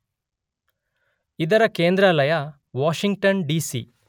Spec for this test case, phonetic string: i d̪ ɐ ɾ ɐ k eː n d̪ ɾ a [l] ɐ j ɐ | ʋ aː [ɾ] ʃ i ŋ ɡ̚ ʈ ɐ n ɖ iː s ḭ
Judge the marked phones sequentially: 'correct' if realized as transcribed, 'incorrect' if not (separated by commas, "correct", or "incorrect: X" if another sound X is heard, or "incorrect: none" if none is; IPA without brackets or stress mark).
correct, incorrect: none